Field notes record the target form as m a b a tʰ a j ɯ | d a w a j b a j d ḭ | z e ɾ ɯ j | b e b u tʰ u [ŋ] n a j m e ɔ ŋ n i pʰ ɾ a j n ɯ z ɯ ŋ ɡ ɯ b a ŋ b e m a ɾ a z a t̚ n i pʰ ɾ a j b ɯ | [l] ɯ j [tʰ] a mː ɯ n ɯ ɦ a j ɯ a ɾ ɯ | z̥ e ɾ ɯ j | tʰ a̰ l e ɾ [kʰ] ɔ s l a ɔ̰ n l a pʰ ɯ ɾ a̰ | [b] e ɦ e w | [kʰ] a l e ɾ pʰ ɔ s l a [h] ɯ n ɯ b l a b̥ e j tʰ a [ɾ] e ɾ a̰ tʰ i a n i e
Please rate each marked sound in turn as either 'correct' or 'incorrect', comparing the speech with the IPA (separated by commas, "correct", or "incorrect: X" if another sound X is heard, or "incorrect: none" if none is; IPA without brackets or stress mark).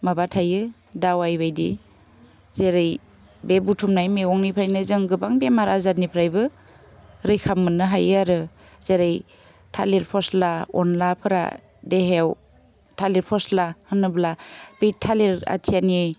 incorrect: m, incorrect: ɾ, incorrect: kʰ, incorrect: pʰ, incorrect: d, incorrect: tʰ, correct, incorrect: l